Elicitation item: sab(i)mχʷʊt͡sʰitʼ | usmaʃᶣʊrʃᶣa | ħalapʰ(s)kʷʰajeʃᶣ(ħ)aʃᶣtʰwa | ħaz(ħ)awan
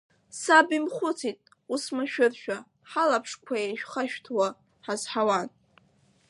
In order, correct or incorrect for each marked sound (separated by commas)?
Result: correct, incorrect, incorrect, correct